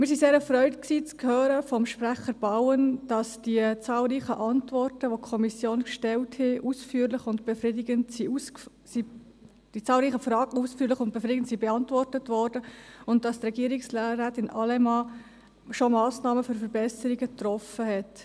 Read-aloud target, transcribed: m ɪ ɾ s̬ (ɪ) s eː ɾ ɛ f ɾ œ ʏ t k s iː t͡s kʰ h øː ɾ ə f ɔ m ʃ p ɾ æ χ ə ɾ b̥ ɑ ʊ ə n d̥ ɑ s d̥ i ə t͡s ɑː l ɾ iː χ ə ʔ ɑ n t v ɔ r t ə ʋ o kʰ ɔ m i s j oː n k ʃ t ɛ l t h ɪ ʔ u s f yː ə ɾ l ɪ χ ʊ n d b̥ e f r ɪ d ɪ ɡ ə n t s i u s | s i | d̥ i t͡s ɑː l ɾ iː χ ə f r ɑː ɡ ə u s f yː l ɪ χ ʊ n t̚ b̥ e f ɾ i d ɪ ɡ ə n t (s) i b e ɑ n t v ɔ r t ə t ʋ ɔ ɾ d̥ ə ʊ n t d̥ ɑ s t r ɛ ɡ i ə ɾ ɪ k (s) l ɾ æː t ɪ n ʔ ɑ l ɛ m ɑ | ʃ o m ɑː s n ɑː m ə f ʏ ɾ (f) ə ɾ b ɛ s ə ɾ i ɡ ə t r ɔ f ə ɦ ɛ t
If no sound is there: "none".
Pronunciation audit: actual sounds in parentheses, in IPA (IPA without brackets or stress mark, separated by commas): i, s, s, f